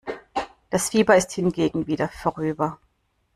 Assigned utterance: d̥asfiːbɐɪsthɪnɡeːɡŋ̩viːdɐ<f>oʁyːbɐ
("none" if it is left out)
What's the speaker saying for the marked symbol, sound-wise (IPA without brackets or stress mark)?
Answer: f